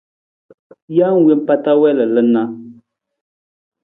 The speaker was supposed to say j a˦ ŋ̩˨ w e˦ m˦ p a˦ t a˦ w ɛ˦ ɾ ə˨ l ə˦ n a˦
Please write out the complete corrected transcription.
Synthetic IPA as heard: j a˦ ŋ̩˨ w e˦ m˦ p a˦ t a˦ w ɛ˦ l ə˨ l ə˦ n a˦